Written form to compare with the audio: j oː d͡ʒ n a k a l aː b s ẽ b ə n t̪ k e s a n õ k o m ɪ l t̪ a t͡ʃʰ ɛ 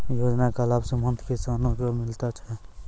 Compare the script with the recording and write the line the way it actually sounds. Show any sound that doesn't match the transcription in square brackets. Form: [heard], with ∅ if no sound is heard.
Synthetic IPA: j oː d͡ʒ n a k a l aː b s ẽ [m] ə n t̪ k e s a n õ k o m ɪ l t̪ a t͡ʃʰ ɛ